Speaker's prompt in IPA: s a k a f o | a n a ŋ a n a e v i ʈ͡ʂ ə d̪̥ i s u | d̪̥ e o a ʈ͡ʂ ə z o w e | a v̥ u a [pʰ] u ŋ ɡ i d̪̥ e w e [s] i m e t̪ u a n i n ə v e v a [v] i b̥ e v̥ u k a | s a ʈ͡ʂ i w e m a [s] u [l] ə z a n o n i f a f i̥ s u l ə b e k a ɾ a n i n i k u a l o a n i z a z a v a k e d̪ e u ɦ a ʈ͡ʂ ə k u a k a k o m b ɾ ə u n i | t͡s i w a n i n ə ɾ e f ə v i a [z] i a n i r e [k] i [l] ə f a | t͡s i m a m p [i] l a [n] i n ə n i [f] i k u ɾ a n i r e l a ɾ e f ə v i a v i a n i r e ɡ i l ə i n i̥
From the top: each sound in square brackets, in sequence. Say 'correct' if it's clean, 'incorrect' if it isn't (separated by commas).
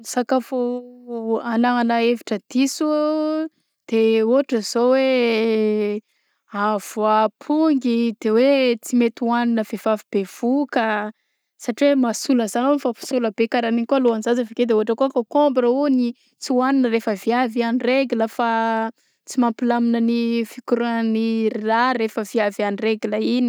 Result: correct, incorrect, correct, correct, correct, incorrect, incorrect, correct, correct, incorrect, correct